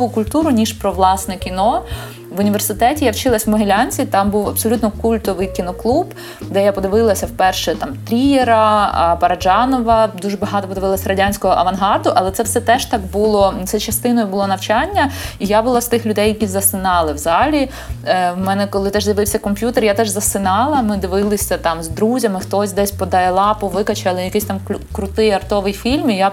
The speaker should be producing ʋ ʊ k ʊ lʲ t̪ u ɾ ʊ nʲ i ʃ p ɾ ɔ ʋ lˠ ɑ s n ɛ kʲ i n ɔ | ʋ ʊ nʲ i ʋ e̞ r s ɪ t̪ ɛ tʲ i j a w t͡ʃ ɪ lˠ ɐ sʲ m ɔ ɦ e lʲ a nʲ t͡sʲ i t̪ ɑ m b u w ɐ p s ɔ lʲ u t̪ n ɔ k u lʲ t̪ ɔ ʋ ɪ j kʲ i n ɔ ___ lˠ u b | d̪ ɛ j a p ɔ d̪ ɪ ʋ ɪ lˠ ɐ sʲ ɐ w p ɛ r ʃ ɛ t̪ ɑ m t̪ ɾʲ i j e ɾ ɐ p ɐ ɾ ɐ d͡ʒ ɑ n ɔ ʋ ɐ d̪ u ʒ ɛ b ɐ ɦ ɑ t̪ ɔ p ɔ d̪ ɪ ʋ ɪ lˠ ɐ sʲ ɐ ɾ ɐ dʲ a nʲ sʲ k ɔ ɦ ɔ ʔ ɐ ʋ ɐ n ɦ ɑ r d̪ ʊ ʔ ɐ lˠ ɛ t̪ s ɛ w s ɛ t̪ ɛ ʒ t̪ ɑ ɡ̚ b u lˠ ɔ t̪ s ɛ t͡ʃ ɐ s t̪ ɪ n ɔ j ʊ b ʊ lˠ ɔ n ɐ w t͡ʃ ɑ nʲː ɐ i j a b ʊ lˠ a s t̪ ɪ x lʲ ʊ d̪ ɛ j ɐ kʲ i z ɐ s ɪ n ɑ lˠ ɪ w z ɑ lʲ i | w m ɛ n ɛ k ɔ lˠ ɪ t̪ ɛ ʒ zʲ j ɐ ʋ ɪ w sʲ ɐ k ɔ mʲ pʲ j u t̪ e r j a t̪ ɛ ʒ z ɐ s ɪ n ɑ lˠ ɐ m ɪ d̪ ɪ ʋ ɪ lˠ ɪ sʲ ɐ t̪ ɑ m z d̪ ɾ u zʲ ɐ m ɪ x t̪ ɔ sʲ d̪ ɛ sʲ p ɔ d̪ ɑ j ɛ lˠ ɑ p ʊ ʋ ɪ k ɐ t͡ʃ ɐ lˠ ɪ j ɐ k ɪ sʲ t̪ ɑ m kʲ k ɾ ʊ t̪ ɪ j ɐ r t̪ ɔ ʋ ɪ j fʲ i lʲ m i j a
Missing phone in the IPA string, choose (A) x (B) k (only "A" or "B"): B